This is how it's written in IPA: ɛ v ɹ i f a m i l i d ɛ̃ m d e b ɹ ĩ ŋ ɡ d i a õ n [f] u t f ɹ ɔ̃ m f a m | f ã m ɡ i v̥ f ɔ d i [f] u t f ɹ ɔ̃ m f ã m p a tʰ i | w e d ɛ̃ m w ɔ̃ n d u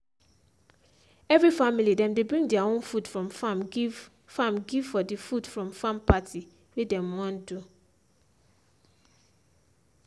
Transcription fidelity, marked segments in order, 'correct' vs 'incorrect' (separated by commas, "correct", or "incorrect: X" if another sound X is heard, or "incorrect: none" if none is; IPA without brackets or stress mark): correct, correct